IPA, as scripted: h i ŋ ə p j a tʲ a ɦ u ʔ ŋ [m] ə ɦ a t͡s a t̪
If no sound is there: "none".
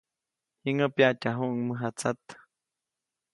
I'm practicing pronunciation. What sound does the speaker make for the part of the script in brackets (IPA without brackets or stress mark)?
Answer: m